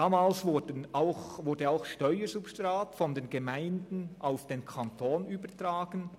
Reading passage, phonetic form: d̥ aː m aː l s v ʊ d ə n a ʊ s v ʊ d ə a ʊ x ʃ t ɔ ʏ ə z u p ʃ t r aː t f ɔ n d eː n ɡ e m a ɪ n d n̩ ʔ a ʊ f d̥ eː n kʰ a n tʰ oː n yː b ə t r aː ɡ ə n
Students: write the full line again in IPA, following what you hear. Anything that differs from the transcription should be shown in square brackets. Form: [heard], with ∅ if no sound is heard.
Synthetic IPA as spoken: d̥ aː m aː l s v ʊ d ə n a ʊ [x] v ʊ d ə a ʊ x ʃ t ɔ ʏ ə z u p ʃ t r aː t f ɔ n d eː n ɡ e m a ɪ n d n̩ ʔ a ʊ f d̥ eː n kʰ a n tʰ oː n yː b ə t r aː ɡ ə n